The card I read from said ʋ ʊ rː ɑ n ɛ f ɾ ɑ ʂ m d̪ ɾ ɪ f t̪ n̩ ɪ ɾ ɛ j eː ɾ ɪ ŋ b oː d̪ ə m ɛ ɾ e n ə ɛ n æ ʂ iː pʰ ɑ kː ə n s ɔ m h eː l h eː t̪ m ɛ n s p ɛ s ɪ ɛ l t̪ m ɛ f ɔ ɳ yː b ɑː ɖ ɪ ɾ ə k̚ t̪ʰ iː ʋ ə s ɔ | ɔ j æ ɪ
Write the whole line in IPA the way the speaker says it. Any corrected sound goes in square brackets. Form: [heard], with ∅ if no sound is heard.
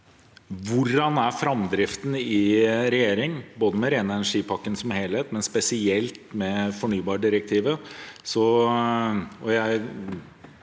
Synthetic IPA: ʋ ʊ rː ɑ n [æ] f ɾ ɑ [∅] m d̪ ɾ ɪ f t̪ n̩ ɪ ɾ ɛ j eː ɾ ɪ ŋ b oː d̪ ə m ɛ ɾ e n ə ɛ n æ ʂ iː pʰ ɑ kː ə n s ɔ m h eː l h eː t̪ m ɛ n s p ɛ s ɪ ɛ l t̪ m ɛ f ɔ ɳ yː b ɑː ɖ ɪ ɾ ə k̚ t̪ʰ iː ʋ ə s ɔ | ɔ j æ ɪ